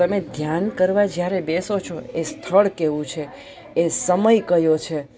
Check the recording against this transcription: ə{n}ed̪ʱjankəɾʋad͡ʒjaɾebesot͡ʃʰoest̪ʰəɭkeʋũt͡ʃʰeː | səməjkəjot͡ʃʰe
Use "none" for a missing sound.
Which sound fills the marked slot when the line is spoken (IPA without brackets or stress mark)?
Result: m